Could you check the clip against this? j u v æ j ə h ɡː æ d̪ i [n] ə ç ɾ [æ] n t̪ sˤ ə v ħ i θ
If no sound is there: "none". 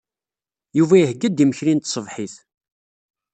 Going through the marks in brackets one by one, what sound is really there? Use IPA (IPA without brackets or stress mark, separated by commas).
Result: m, i